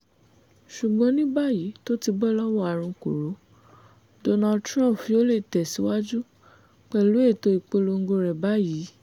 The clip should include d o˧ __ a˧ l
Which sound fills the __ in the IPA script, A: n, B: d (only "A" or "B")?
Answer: A